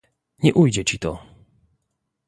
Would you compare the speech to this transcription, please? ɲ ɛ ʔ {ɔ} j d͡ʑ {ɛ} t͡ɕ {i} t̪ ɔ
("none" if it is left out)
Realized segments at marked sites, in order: u, ɛ, i

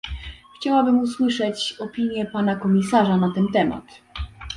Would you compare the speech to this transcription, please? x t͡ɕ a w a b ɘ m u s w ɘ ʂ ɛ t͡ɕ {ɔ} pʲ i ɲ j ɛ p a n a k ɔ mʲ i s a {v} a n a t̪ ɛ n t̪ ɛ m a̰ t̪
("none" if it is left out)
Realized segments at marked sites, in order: ɔ, ʐ

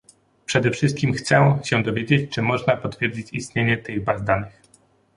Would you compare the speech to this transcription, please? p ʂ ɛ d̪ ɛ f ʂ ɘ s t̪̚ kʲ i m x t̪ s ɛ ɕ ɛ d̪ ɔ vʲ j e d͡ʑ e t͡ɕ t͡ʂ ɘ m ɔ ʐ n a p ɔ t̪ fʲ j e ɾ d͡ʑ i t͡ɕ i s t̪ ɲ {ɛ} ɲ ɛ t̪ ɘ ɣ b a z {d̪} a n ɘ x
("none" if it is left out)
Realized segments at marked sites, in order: e, d̪

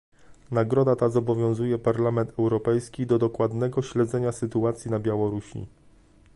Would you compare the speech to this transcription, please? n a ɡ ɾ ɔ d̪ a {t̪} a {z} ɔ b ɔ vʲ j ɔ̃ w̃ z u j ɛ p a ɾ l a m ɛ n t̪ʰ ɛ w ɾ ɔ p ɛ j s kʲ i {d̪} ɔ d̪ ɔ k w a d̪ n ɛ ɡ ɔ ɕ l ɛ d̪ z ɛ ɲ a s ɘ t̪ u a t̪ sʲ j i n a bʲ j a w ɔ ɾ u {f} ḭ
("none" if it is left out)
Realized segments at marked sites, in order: t̪, z, d̪, ɕ

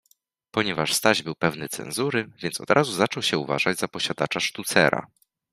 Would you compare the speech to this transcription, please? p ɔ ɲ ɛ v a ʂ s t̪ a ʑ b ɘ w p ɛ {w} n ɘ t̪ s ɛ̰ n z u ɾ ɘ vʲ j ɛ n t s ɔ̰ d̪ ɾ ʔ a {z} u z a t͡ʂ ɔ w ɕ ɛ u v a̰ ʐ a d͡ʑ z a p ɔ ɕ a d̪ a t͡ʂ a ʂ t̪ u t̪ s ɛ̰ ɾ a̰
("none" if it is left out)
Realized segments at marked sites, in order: v, z

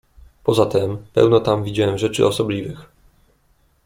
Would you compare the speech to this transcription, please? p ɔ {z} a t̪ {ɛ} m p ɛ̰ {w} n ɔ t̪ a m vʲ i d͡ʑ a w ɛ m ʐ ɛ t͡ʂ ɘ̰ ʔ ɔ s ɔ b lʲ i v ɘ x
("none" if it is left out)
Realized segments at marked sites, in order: z, ɛ, w

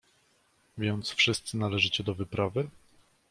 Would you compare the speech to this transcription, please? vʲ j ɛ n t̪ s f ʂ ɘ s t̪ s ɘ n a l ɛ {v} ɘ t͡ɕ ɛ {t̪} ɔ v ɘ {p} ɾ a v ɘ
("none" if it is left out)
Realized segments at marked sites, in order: ʐ, d̪, p

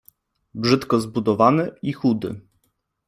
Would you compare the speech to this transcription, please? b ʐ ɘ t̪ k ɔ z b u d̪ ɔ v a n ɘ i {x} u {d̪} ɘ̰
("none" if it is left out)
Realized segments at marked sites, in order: x, d̪

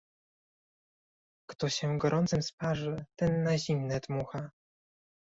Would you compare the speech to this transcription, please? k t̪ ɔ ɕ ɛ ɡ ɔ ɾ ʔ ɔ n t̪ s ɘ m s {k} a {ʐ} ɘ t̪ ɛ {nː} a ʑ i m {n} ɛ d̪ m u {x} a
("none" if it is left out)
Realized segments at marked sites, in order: p, ʐ, nː, n, x

